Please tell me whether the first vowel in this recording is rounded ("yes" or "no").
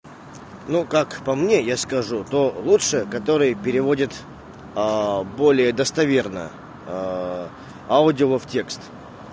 yes